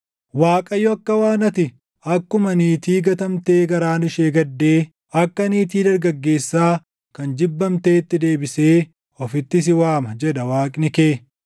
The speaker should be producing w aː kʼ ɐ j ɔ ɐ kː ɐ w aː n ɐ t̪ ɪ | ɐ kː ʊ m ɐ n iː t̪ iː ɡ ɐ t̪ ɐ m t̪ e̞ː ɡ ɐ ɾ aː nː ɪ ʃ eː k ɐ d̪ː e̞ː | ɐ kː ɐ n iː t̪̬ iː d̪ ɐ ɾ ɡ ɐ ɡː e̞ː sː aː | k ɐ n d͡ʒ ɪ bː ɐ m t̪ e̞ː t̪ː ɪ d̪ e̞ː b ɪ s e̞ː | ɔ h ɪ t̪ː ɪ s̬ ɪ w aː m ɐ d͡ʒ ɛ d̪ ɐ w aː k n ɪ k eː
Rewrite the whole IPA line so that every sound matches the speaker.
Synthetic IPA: w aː kʼ ɐ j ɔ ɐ kː ɐ w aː n ɐ t̪ ɪ | ɐ kː ʊ m ɐ n iː t̪ iː ɡ ɐ t̪ ɐ m t̪ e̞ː ɡ ɐ ɾ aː n ɪ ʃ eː ɡ ɐ d̪ː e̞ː | ɐ kː ɐ n iː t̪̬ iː d̪ ɐ ɾ ɡ ɐ ɡː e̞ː sː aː | k ɐ n d͡ʒ ɪ bː ɐ m t̪ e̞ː t̪ː ɪ d̪ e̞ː b ɪ s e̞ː | ɔ f ɪ t̪ː ɪ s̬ ɪ w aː m ɐ d͡ʒ ɛ d̪ ɐ w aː kʼ n ɪ k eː